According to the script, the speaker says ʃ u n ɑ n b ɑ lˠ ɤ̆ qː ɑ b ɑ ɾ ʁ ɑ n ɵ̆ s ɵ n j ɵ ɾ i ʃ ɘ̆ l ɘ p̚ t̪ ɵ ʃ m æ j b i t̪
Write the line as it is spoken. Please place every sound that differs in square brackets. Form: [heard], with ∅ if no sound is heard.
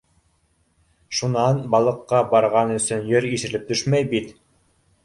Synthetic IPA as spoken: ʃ u n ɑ n b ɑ lˠ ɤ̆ qː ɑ b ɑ ɾ ʁ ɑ n ɵ̆ s ɵ n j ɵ ɾ i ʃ ɘ̆ l ɘ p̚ t̪ ɵ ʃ m æ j b i t̪